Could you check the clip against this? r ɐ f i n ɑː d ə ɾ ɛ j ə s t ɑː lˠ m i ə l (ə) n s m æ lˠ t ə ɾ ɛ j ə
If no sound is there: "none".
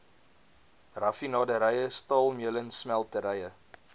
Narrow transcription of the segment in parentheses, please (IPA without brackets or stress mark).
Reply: ə